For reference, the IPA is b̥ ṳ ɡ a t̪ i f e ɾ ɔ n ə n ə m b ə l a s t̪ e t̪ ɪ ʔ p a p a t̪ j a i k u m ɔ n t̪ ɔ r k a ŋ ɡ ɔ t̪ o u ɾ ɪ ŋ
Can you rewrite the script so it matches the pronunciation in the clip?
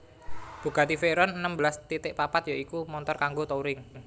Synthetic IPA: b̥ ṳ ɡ a t̪ i f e ɾ ɔ n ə n ə m b ə l a s t̪ i t̪ ɪ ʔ p a p a t̪ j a i k u m ɔ n t̪ ɔ r k a ŋ ɡ o t̪ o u ɾ ɪ ŋ